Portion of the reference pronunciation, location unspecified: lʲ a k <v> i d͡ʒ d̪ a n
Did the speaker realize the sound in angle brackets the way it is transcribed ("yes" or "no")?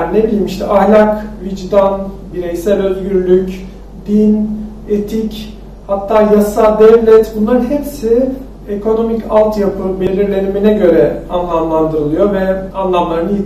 yes